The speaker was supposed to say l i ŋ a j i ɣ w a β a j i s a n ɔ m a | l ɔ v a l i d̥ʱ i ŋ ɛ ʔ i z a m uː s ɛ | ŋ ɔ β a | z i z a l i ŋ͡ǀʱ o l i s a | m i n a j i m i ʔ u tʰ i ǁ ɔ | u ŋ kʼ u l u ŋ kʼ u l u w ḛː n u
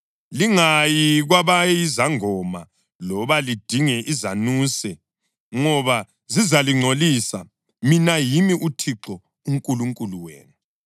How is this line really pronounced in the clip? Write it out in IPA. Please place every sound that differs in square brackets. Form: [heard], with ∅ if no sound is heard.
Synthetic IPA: l i ŋ a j i ɣ w a β a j i [z] a [ŋ] ɔ m a | l ɔ [β] a l i d̥ʱ i ŋ ɛ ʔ i z a [n] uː s ɛ | ŋ ɔ β a | z i z a l i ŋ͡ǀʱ o l i s a | m i n a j i m i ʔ u tʰ i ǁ ɔ | u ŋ kʼ u l u ŋ kʼ u l u w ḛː n u